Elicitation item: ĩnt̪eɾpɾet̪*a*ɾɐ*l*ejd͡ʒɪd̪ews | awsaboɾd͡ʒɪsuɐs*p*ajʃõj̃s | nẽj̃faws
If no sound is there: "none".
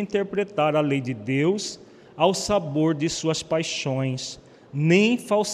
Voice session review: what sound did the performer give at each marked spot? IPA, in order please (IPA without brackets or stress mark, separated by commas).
a, l, p